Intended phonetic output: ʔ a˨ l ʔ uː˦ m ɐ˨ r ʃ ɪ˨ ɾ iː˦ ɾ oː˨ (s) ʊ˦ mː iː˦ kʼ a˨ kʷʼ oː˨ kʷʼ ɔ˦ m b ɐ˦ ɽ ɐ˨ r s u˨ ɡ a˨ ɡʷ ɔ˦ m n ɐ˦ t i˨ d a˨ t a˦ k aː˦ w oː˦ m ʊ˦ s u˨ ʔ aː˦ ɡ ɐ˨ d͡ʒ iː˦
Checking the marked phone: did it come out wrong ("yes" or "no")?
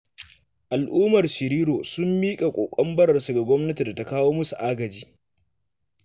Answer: no